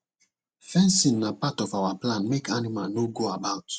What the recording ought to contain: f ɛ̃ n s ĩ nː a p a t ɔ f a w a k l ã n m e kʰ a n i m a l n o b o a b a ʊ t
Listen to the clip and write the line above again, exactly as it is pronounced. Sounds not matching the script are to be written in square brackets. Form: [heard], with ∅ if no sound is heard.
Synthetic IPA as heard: f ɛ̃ n s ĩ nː a p a t ɔ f a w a [p] l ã n m e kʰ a n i m a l n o [ɡ] o a b a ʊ t